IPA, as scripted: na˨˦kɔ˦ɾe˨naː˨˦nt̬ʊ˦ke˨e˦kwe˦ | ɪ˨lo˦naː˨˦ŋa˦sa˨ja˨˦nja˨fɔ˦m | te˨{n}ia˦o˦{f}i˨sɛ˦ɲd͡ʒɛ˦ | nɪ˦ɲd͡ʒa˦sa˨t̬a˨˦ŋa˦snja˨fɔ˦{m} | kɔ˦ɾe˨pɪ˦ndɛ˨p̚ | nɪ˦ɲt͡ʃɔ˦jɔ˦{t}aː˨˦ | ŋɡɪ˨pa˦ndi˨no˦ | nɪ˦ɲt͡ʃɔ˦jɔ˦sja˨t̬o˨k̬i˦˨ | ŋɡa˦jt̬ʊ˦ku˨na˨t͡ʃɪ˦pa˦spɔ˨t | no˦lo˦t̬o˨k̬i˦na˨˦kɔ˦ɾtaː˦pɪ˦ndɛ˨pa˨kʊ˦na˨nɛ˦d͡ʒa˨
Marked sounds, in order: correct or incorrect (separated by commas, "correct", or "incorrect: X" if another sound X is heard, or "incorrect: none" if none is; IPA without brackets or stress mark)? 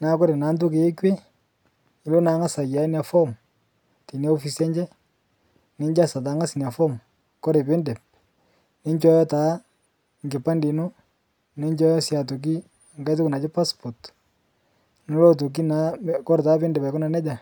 correct, correct, correct, correct